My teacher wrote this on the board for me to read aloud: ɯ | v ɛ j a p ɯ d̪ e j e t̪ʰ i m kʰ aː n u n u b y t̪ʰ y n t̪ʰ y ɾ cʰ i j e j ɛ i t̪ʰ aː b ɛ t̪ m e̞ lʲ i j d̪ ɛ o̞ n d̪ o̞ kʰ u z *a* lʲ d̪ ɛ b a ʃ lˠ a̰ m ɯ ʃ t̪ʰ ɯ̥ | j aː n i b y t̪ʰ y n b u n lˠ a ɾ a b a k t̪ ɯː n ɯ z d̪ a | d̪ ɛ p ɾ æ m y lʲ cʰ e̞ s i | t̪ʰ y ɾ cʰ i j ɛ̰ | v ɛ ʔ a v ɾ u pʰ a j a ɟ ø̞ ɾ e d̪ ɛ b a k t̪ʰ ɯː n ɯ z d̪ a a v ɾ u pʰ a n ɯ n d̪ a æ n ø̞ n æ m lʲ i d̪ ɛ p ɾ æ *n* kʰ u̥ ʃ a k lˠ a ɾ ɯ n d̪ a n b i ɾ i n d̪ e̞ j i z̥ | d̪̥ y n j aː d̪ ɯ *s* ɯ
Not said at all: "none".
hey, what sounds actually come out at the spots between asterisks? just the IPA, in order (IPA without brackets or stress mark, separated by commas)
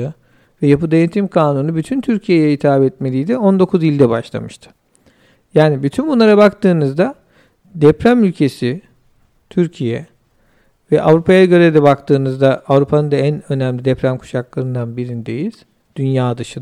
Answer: i, m, ʃ